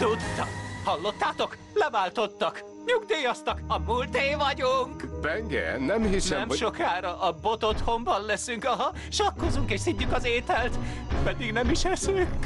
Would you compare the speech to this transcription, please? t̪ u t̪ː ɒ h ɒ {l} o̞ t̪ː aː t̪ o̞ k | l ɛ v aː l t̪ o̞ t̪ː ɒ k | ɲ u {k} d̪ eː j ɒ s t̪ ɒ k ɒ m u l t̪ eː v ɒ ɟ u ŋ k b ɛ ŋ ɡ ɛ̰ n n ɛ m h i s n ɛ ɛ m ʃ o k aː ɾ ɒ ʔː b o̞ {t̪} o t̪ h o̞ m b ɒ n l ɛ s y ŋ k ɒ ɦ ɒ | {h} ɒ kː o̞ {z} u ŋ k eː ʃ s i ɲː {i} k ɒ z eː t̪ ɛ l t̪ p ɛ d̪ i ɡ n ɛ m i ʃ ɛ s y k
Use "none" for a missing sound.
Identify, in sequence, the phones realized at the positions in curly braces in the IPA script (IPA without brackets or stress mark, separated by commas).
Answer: lː, ɡ, t̪, ʃ, z, y